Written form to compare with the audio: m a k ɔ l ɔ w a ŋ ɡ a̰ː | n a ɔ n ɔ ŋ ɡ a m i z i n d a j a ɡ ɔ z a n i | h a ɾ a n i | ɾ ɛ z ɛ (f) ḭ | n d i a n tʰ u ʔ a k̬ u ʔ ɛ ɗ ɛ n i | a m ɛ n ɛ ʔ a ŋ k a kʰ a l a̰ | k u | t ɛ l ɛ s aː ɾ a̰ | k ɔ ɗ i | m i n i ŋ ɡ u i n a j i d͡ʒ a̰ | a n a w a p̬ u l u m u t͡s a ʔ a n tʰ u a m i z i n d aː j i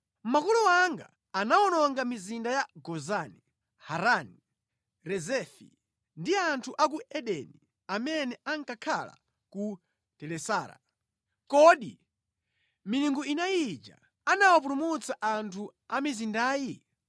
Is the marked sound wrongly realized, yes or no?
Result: no